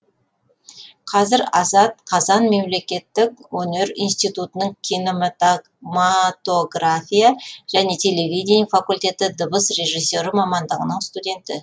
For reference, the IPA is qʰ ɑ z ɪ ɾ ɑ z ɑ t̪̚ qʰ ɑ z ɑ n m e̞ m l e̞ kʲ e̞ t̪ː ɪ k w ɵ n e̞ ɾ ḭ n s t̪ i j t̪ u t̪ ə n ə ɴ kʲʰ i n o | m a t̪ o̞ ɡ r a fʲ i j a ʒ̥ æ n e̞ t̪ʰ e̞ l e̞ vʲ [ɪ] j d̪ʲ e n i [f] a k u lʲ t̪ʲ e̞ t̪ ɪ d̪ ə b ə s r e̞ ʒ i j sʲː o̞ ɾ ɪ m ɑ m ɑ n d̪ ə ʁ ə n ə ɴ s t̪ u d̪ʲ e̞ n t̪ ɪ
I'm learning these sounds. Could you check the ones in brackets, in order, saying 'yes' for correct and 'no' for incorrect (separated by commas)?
no, yes